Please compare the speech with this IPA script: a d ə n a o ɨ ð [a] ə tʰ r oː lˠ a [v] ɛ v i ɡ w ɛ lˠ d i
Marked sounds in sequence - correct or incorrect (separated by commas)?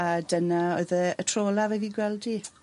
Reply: incorrect, correct